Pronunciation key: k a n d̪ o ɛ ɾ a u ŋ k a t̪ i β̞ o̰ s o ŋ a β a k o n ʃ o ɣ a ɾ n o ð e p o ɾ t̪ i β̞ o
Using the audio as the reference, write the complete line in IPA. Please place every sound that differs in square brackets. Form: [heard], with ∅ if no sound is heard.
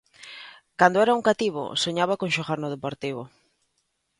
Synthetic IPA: k a n d̪ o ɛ ɾ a u ŋ k a t̪ i β̞ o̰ s o [ɲ] a β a k o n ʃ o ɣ a ɾ n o ð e p o ɾ t̪ i β̞ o